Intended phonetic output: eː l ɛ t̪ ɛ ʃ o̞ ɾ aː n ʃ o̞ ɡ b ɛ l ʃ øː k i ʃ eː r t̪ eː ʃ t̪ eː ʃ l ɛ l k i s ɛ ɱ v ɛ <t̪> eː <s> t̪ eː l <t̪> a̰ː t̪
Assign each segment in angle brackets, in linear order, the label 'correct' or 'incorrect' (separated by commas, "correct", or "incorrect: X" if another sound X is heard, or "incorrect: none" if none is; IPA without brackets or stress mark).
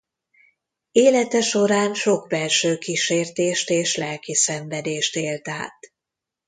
incorrect: d̪, incorrect: ʃ, correct